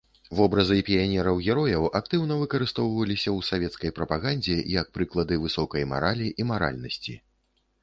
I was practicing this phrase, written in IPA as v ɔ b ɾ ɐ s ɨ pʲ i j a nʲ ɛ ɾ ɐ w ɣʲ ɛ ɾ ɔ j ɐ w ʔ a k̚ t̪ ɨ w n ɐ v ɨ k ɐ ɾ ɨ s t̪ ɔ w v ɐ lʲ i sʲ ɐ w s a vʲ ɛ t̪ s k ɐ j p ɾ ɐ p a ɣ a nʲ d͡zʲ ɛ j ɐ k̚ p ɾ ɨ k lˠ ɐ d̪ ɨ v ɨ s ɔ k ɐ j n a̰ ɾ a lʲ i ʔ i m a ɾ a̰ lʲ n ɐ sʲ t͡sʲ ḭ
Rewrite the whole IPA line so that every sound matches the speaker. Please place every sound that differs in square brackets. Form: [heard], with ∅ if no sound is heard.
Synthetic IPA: v ɔ b ɾ ɐ [z] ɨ pʲ i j a nʲ ɛ ɾ ɐ w ɣʲ ɛ ɾ ɔ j ɐ w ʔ a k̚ t̪ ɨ w n ɐ v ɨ k ɐ ɾ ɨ s t̪ ɔ w v ɐ lʲ i sʲ ɐ w s a vʲ ɛ t̪ s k ɐ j p ɾ ɐ p a ɣ a nʲ d͡zʲ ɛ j ɐ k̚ p ɾ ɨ k lˠ ɐ d̪ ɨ v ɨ s ɔ k ɐ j [m] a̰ ɾ a lʲ i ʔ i m a ɾ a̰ lʲ n ɐ sʲ t͡sʲ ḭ

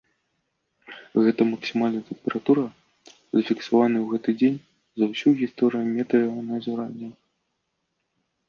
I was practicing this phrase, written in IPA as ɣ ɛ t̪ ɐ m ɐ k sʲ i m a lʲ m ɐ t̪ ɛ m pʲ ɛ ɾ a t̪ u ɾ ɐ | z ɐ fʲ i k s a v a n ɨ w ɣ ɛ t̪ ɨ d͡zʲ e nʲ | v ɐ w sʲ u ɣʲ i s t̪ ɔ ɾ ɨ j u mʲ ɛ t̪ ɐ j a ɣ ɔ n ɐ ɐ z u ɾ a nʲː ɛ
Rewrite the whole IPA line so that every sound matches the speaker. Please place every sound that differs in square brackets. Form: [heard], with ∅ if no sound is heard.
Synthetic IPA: ɣ ɛ t̪ ɐ m ɐ k sʲ i m a lʲ [n] ɐ t̪ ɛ m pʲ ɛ ɾ a t̪ u ɾ ɐ | z ɐ fʲ i k s a v a n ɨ w ɣ ɛ t̪ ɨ d͡zʲ e nʲ | [z] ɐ w sʲ u ɣʲ i s t̪ ɔ ɾ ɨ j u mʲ ɛ t̪ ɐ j a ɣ ɔ n ɐ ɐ z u ɾ a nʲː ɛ

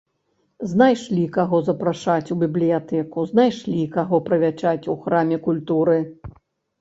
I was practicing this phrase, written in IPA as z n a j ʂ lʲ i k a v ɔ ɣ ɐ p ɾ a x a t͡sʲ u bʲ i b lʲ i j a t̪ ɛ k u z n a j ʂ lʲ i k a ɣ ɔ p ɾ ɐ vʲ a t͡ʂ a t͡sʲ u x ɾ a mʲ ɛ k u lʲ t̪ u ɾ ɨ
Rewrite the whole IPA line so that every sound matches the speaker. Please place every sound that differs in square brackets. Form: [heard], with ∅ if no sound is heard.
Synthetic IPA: z n a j ʂ lʲ i k a [ɣ] ɔ [z] ɐ p ɾ a [ʂ] a t͡sʲ u bʲ i b lʲ i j a t̪ ɛ k u z n a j ʂ lʲ i k a ɣ ɔ p ɾ ɐ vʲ a t͡ʂ a t͡sʲ u x ɾ a mʲ ɛ k u lʲ t̪ u ɾ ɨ

